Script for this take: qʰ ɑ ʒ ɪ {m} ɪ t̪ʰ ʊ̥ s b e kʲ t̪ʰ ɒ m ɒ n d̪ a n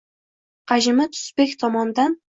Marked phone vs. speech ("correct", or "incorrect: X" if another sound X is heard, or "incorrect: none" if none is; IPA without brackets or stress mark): correct